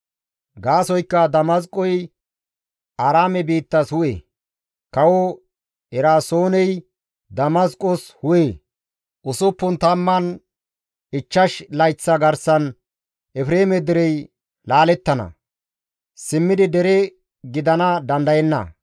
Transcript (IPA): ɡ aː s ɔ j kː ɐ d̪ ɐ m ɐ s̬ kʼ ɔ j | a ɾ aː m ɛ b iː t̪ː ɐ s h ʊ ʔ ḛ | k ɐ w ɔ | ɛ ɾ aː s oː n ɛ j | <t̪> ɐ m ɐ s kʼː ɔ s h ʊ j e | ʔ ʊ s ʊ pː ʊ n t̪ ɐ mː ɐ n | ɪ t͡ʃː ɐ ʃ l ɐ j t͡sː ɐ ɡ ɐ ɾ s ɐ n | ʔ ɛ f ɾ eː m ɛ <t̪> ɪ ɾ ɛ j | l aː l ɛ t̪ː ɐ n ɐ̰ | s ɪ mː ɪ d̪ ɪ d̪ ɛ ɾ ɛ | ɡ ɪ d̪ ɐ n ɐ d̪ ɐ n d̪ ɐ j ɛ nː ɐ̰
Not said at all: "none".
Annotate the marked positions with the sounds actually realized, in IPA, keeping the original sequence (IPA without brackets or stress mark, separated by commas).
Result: d̪, d̪